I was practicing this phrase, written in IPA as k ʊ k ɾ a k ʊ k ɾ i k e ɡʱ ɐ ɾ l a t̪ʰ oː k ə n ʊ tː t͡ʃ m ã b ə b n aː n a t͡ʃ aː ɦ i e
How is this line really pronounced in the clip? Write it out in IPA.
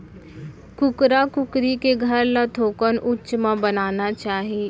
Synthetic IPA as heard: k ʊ k ɾ a k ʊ k ɾ i k e ɡʱ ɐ ɾ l a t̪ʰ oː k ə n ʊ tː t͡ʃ m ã b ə n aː n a t͡ʃ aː ɦ i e